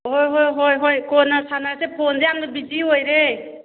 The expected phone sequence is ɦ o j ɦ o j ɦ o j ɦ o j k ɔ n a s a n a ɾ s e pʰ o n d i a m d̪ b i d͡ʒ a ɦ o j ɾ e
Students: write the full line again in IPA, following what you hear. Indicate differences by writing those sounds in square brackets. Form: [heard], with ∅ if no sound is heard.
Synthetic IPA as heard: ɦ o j ɦ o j ɦ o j ɦ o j k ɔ n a s a n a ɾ s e pʰ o n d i a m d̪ b i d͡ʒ [i] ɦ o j ɾ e